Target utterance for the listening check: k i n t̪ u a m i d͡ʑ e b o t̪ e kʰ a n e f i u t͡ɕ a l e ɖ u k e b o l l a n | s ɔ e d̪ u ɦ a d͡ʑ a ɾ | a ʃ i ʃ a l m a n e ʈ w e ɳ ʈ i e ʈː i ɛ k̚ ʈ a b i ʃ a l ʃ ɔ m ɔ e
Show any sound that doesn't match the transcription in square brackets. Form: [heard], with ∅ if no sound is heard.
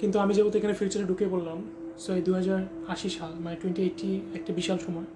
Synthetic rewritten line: k i n t̪ u a m i d͡ʑ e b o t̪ e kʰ a n e f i u t͡ɕ a [ɾ] e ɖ u k e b o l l a [m] | s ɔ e d̪ u ɦ a d͡ʑ a ɾ | a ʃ i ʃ a l m a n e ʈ w e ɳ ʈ i e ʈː i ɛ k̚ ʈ a b i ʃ a l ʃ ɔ m ɔ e